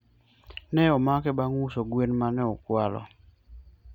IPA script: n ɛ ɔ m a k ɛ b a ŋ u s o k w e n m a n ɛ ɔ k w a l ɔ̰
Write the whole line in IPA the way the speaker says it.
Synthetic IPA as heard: n ɛ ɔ m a k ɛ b a ŋ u s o ɡ w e n m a n ɛ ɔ k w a l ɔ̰